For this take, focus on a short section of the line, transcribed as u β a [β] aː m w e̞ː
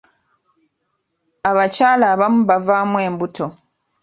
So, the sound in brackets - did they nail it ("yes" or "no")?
no